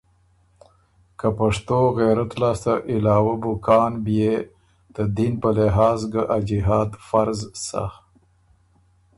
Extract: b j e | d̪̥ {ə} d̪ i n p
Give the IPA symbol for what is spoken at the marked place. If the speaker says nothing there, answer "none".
ə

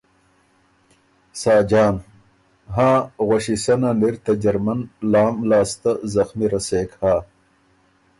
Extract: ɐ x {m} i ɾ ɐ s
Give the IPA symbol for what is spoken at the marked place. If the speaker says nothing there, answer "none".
m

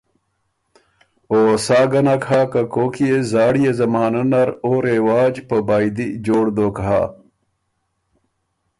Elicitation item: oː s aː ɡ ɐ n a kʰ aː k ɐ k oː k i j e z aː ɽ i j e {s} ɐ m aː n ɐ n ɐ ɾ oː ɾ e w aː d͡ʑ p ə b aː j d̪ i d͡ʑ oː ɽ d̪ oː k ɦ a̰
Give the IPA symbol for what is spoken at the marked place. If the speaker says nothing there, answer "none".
z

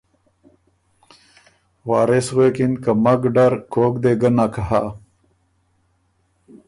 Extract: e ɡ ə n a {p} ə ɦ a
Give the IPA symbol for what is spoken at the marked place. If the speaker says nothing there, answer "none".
k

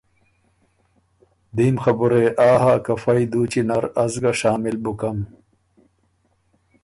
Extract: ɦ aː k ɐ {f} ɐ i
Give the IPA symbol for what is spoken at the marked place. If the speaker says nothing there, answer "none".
f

